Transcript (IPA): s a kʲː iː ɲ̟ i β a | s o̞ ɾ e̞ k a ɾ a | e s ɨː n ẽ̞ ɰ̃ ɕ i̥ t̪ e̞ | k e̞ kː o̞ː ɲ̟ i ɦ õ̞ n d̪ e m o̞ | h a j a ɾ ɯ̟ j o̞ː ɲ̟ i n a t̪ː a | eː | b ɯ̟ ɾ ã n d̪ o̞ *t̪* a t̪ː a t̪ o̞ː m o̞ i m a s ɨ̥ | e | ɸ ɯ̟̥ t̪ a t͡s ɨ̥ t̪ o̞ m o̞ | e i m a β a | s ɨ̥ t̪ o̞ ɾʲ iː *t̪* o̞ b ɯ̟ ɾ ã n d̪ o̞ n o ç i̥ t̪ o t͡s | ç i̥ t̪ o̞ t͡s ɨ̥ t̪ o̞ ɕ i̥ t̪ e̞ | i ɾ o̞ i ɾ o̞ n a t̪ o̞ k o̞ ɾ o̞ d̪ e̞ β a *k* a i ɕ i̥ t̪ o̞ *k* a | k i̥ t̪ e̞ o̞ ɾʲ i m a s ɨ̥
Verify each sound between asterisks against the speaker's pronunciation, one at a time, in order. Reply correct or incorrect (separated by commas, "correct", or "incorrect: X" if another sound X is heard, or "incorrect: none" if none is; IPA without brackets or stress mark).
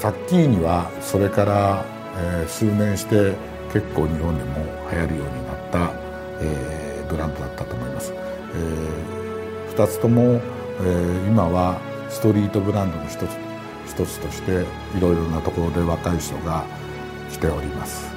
incorrect: d̪, correct, correct, incorrect: ɡ